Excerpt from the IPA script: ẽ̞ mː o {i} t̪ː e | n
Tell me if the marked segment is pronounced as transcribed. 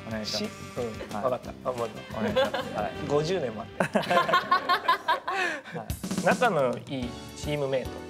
no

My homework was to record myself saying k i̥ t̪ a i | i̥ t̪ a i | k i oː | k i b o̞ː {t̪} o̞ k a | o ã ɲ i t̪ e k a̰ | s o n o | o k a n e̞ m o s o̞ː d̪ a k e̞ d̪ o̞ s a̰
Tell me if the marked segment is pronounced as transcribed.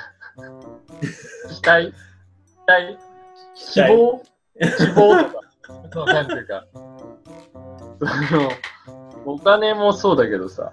yes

